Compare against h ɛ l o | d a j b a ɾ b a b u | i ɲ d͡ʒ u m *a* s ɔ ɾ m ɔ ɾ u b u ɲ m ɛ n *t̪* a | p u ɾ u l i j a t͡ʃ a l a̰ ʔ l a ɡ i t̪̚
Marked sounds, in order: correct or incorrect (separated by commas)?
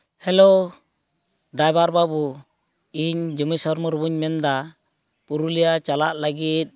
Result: incorrect, incorrect